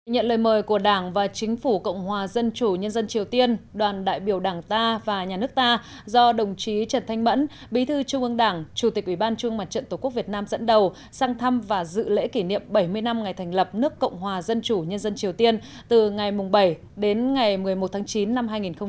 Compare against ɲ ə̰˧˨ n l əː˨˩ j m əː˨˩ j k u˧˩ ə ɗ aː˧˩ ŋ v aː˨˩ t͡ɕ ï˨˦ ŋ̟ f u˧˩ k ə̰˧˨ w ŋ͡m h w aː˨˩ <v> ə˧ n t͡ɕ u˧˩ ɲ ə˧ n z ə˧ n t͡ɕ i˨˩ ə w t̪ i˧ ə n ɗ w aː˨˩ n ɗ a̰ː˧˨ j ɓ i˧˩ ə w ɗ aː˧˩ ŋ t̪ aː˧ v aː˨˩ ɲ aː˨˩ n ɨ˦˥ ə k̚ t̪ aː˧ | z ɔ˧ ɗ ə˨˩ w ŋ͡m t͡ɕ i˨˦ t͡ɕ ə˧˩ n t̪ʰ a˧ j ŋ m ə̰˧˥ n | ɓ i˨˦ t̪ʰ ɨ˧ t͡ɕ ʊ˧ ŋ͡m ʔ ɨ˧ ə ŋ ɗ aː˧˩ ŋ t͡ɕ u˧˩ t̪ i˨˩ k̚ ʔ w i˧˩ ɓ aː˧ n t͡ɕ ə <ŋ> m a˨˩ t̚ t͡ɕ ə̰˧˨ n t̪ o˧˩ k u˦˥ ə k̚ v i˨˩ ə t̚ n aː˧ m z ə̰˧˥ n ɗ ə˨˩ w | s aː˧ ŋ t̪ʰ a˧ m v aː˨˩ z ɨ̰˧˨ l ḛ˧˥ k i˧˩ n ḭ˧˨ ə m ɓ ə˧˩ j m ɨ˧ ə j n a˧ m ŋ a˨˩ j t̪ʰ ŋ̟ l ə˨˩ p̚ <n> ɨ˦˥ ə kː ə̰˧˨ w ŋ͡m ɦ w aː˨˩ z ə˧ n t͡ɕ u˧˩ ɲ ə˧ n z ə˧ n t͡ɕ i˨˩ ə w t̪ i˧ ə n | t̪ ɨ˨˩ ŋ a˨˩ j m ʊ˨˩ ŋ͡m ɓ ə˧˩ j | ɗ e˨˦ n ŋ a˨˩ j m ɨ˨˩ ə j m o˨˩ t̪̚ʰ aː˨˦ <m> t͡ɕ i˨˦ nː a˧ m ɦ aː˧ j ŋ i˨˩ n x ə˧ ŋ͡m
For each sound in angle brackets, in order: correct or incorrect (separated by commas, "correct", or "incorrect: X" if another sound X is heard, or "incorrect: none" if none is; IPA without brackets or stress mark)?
incorrect: z, correct, correct, incorrect: ŋ